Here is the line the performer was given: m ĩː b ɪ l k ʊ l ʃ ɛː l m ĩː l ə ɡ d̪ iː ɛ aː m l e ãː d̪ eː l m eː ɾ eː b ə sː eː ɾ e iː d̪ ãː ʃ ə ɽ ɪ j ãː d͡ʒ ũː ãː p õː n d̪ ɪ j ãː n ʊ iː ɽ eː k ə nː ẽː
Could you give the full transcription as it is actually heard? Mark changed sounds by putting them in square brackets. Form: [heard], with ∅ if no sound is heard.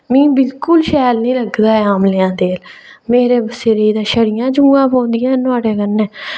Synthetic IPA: m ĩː b ɪ l k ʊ l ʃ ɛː l [n] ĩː l ə ɡ d̪ [aː] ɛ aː m l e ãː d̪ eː l m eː ɾ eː b ə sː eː ɾ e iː d̪ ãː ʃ ə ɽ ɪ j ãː d͡ʒ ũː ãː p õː n d̪ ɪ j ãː n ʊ [aː] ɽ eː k ə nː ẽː